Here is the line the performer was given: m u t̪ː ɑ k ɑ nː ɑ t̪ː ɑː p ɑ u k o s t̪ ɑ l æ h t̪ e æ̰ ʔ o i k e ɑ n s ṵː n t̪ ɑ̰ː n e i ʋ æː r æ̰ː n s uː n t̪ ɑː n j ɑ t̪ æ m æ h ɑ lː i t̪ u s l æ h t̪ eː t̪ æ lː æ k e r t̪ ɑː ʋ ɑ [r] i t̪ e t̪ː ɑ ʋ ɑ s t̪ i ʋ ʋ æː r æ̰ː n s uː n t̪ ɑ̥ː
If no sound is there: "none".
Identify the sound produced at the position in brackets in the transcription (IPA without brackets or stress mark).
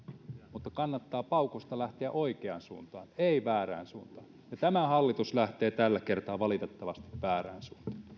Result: l